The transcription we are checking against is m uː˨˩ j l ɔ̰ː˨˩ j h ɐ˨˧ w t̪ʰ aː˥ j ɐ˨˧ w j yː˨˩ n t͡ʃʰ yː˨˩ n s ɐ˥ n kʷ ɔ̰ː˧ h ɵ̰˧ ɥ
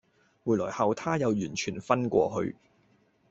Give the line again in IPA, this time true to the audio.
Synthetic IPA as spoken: m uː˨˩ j l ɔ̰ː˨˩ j h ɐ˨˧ w t̪ʰ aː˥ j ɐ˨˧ w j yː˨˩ n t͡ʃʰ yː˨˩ n f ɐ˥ n kʷ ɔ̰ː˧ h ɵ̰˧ ɥ